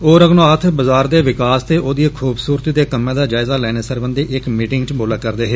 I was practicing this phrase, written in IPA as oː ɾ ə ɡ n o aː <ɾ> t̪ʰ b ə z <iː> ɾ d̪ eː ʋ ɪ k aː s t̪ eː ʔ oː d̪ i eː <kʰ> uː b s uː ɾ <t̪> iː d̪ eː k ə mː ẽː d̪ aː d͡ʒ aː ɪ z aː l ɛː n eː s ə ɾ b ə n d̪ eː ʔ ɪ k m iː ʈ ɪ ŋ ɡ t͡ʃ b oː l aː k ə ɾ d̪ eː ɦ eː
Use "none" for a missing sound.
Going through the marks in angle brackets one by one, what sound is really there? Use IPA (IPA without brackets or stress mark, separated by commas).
none, aː, kʰ, t̪